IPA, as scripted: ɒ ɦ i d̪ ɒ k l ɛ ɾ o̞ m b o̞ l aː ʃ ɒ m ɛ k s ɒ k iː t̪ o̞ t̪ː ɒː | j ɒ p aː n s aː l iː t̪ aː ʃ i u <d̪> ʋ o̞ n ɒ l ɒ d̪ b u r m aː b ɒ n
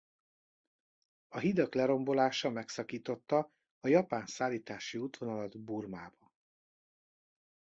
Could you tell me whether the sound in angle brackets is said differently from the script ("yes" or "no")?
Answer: yes